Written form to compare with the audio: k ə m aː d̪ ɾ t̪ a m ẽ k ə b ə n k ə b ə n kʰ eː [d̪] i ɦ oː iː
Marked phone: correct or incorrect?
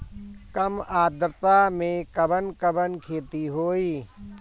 incorrect: t̪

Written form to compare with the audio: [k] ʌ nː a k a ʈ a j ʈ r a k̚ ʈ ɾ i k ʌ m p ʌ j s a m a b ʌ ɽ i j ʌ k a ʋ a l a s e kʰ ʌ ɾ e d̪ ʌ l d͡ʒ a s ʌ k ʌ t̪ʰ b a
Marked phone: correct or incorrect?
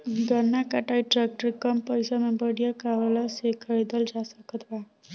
incorrect: ɡ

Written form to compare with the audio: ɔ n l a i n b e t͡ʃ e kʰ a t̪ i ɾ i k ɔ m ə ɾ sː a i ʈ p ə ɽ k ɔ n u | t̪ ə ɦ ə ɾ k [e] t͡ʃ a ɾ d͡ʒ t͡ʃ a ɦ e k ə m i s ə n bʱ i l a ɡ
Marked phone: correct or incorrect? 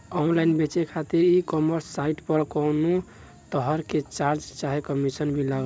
correct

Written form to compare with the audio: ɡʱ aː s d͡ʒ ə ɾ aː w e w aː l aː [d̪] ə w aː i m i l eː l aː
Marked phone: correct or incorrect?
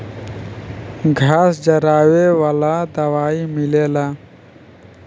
correct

